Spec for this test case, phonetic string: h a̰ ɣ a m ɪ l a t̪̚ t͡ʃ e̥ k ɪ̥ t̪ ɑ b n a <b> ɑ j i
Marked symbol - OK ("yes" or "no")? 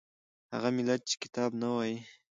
no